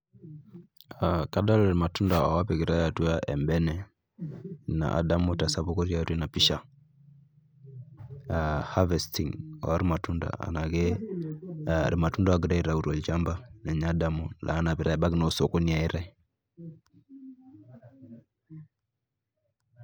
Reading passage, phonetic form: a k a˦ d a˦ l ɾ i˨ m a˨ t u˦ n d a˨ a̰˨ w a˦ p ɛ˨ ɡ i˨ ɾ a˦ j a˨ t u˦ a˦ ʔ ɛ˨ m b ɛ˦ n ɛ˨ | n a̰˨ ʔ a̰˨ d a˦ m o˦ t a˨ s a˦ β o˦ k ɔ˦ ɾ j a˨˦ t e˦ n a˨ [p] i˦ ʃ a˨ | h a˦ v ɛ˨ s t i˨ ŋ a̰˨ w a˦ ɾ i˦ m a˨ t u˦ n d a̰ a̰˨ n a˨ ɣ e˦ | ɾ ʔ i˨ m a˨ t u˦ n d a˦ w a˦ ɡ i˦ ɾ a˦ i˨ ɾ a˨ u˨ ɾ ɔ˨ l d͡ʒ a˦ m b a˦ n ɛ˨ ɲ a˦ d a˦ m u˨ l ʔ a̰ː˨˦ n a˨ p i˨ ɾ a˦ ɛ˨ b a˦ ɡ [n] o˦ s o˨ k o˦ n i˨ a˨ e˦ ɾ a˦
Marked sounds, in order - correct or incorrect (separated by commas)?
correct, correct